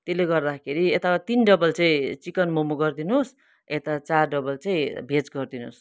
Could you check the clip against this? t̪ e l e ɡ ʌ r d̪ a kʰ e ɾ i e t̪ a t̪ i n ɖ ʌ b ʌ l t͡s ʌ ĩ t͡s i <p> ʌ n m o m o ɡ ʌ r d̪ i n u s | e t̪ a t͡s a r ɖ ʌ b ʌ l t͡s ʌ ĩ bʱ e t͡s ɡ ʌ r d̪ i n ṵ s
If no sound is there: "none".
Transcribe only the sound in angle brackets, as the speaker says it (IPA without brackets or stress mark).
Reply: k